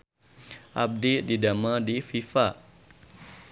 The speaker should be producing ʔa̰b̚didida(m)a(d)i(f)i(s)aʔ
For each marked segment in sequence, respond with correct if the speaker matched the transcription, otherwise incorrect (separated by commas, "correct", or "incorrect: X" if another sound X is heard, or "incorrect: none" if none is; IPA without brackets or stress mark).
correct, correct, correct, incorrect: f